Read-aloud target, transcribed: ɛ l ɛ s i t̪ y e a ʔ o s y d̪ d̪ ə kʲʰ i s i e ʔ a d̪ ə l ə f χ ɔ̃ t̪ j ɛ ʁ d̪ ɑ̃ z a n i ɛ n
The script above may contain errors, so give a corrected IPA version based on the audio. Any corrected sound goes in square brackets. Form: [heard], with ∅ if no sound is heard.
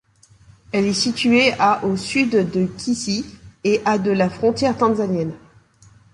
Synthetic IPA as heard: ɛ l ɛ s i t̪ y e a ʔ o s y d̪ d̪ ə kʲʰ i s i e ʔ a d̪ ə l [a] f χ ɔ̃ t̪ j ɛ ʁ [t̪] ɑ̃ z a n [j] ɛ n